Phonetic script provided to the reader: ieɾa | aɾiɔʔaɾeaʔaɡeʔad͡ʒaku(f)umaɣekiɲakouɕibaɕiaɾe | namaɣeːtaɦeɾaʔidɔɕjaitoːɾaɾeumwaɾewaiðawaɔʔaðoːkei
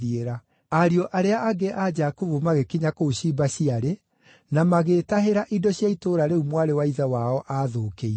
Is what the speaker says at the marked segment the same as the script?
no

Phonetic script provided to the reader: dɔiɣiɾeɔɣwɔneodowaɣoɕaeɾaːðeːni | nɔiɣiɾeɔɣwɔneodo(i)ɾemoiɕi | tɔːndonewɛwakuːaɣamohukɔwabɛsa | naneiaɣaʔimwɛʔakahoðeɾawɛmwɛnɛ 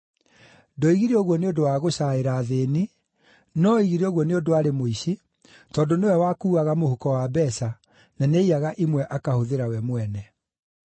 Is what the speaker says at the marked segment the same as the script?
no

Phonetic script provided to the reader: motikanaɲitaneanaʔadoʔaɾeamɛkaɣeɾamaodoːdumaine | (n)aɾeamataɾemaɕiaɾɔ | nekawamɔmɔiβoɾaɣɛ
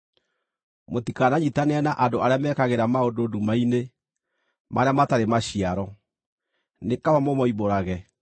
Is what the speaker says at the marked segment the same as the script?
no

